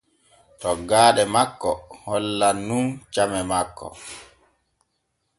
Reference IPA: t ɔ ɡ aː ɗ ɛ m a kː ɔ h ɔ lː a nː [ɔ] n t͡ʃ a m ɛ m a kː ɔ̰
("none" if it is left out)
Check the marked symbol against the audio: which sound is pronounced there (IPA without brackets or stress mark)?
u